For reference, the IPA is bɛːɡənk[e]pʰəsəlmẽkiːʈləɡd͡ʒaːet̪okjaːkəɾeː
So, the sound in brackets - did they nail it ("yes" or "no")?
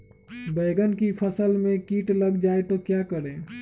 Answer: no